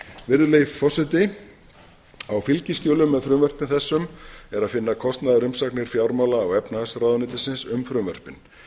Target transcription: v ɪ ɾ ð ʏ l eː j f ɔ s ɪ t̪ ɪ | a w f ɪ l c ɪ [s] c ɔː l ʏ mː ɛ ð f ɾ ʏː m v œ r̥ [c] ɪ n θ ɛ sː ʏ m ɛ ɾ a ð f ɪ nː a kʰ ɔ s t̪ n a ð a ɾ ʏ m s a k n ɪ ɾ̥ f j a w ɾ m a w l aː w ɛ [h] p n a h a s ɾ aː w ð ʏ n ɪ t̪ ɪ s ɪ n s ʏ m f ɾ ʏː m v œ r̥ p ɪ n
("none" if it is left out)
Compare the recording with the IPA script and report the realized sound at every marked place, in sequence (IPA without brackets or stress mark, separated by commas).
s, p, none